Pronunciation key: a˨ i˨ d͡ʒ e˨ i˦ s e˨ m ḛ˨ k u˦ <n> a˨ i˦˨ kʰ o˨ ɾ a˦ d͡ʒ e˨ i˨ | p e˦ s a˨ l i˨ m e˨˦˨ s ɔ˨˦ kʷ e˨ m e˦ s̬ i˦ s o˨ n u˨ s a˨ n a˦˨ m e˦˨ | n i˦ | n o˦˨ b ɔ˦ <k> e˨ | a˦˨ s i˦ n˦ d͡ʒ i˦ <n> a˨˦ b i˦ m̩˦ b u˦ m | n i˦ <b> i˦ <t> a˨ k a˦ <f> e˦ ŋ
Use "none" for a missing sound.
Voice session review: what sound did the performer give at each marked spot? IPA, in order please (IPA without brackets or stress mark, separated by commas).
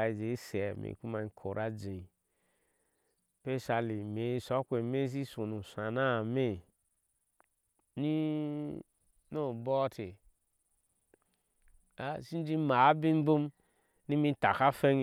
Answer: m, t, m, m, t, f